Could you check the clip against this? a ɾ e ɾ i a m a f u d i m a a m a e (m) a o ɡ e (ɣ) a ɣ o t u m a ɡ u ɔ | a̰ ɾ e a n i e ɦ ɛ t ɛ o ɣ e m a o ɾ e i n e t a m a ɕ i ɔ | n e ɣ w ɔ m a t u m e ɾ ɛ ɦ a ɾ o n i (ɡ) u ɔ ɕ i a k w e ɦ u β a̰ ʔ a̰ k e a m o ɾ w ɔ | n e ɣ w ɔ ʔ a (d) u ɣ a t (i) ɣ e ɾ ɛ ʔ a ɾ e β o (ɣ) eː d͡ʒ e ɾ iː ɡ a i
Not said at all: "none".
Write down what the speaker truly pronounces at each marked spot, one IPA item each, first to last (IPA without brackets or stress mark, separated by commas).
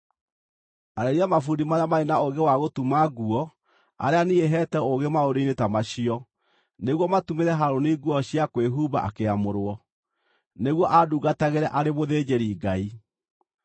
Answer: n, w, ɡ, d, a, ð